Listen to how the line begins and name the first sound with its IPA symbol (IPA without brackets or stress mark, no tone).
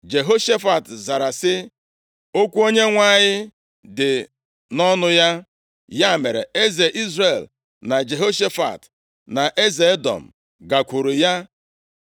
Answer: d͡ʒ